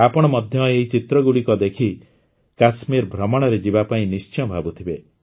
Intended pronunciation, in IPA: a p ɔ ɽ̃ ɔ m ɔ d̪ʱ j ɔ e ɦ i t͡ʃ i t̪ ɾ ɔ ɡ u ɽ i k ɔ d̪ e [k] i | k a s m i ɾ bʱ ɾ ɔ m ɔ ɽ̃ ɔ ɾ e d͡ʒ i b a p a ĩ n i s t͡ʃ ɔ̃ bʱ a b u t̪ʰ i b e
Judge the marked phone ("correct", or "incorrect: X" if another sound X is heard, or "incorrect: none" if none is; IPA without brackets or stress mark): incorrect: kʰ